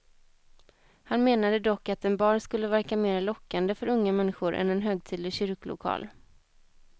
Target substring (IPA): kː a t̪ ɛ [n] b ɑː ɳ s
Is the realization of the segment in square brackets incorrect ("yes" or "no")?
no